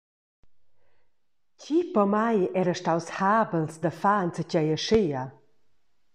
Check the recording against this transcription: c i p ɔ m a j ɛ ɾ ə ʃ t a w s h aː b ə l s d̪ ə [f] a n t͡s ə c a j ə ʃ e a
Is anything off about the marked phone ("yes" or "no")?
no